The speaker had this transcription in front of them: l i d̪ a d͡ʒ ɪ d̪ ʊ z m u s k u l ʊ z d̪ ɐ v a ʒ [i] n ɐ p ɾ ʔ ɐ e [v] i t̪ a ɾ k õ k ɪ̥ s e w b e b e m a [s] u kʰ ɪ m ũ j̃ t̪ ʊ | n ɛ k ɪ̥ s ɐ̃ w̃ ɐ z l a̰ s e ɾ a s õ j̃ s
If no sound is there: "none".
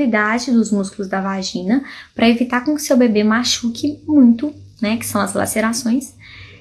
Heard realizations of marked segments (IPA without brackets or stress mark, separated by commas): ĩ, v, ʃ